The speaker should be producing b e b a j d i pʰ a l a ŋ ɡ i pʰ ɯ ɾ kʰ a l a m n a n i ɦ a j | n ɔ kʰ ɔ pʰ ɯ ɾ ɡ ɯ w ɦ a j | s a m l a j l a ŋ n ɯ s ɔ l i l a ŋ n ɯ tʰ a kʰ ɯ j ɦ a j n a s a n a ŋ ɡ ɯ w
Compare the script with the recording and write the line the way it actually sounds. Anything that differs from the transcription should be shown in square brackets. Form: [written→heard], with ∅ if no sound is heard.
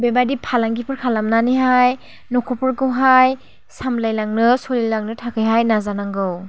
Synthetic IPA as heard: b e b a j d i pʰ a l a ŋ ɡ i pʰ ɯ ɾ kʰ a l a m n a n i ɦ a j | n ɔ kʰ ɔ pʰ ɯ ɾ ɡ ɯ w ɦ a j | s a m l a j l a ŋ n ɯ s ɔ l i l a ŋ n ɯ tʰ a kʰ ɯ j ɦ a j n a [s→z] a n a ŋ ɡ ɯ w